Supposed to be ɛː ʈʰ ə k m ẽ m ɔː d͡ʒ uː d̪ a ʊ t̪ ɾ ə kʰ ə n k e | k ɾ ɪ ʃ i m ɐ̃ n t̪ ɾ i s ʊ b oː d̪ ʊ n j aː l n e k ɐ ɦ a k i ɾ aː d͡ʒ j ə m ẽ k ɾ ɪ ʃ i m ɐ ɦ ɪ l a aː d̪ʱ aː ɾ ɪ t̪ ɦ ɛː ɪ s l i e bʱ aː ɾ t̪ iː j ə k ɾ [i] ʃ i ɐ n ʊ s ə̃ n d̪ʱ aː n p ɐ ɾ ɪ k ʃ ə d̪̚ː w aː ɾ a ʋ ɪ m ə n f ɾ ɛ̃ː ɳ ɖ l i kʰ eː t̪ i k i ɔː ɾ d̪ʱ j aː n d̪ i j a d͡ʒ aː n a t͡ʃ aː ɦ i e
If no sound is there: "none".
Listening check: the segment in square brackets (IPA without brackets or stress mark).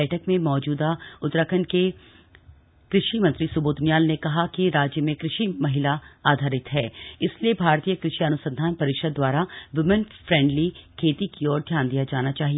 ɪ